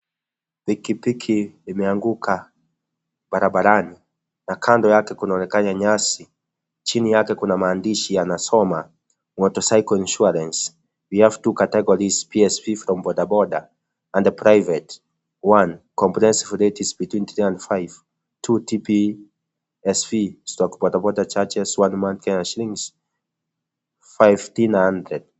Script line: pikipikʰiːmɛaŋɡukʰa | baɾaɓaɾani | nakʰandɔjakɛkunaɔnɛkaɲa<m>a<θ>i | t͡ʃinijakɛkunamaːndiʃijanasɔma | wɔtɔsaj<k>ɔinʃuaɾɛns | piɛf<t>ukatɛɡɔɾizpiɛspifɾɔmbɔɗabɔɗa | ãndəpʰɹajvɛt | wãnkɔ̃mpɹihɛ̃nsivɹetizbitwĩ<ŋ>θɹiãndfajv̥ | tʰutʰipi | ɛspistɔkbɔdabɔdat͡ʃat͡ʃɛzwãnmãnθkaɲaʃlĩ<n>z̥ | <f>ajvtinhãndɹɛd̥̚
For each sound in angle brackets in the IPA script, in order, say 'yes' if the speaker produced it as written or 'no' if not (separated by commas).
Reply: no, no, yes, yes, no, no, yes